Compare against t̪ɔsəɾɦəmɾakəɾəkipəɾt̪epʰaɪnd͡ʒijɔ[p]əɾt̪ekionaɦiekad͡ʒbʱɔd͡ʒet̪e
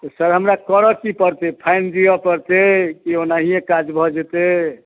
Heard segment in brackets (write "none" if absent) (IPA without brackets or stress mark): p